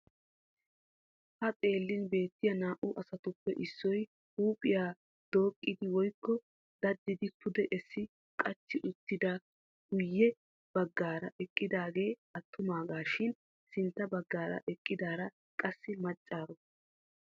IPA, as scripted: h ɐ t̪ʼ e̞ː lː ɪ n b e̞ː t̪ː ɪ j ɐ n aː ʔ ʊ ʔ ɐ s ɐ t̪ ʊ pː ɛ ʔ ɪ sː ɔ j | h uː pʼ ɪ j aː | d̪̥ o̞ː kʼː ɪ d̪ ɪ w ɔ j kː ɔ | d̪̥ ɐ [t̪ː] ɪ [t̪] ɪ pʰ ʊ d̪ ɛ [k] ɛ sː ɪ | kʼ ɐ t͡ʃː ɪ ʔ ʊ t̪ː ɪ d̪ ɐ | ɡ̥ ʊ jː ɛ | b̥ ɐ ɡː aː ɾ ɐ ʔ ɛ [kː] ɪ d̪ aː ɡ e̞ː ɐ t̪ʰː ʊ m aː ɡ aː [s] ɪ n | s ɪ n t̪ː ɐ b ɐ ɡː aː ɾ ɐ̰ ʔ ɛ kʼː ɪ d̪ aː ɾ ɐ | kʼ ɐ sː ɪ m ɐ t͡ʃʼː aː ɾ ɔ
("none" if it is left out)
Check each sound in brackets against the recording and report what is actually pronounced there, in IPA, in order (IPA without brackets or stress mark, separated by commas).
d̪ː, d̪, ʔ, kʼː, ʃ